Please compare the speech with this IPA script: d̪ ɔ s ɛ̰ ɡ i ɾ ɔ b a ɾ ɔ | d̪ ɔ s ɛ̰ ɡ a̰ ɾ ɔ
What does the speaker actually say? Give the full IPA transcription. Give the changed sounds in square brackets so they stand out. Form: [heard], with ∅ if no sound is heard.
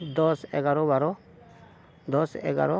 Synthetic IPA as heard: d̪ ɔ s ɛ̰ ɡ [a] ɾ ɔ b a ɾ ɔ | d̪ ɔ s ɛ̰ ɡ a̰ ɾ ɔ

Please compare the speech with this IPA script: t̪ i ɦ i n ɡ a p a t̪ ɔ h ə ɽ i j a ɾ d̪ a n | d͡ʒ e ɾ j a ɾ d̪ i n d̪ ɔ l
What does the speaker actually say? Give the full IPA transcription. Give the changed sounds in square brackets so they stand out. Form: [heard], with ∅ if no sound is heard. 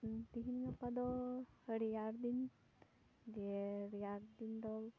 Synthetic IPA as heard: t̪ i ɦ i n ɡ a p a [d̪] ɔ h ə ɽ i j a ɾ d̪ [i] n | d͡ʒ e ɾ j a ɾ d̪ i n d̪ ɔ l

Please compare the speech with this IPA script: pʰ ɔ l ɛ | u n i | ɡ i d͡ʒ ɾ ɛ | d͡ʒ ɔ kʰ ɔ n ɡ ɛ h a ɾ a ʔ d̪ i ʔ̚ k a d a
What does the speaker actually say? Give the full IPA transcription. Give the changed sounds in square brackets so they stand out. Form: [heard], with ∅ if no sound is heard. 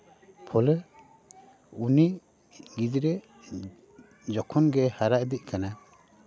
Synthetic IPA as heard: pʰ ɔ l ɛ | u n i | ɡ i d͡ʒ ɾ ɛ | d͡ʒ ɔ kʰ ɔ n ɡ ɛ h a ɾ a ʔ d̪ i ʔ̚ k a [n] a

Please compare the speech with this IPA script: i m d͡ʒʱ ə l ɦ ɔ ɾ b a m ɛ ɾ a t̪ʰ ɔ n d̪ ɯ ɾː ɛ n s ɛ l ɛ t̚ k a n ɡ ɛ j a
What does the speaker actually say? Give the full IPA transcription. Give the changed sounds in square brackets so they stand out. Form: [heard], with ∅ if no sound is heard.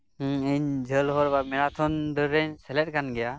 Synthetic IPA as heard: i [ɲ] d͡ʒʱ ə l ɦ ɔ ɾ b a m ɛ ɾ a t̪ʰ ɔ n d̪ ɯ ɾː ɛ [ɲ] s ɛ l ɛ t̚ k a n ɡ ɛ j a

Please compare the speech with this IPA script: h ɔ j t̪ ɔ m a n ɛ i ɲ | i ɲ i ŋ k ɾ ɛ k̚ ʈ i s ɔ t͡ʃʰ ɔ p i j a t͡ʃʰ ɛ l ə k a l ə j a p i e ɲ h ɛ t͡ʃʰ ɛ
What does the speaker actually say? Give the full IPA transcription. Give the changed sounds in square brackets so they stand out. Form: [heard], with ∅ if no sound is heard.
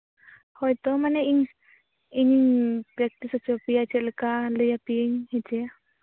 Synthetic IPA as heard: h ɔ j t̪ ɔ m a n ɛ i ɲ | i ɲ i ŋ [p] ɾ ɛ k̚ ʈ i s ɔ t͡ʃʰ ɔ p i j a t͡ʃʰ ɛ l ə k a l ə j a p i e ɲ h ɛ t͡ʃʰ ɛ

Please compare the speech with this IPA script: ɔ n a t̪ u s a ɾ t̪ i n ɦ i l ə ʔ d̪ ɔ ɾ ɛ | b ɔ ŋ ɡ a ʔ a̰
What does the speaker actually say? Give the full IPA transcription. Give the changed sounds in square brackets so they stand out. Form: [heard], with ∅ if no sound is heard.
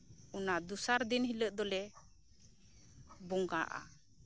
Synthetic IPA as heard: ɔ n a [d̪] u s a ɾ [d̪] i n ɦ i l ə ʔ d̪ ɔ [l] ɛ | b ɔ ŋ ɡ a ʔ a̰

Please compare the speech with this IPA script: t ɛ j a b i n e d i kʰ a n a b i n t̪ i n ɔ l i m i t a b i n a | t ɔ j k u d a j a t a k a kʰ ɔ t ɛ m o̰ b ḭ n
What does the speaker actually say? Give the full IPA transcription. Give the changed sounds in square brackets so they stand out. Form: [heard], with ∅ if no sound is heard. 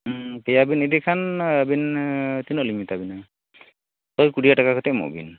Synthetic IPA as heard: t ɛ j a b i n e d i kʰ a n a b i n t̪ i n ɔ l i m i t a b i n a | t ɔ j k u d [i] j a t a k a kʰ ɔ t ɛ m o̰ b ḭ n

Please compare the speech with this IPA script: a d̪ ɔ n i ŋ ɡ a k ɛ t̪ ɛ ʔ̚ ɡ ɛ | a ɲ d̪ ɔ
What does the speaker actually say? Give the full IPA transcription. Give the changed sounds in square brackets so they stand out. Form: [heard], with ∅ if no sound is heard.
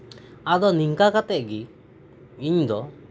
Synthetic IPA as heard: a d̪ ɔ n i ŋ [k] a k [a] t̪ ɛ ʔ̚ ɡ [i] | [i] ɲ d̪ ɔ

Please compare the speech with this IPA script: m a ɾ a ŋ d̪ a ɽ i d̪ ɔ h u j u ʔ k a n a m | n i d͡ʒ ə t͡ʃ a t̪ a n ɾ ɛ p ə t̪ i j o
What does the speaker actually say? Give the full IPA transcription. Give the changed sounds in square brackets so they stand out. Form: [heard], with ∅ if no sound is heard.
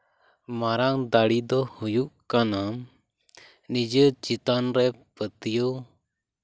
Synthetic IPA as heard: m a ɾ a ŋ d̪ a ɽ i d̪ ɔ h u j u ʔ k a n a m | n i d͡ʒ ə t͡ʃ [i] t̪ a n ɾ ɛ p ə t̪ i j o

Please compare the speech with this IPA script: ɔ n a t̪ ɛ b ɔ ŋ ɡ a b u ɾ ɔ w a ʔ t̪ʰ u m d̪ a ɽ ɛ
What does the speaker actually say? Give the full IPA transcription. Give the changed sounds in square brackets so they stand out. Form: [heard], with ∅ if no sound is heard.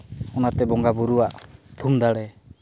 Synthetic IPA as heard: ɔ n a t̪ ɛ b ɔ ŋ ɡ a b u ɾ [u] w a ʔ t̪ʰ u m d̪ a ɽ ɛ

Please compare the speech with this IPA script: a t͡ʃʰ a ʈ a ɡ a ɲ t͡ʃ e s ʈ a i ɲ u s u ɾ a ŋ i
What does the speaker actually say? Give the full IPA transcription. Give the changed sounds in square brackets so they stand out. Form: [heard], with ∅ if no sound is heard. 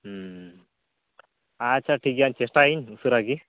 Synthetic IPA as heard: a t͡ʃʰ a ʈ [i] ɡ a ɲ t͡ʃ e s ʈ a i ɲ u s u ɾ a [ɡ] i

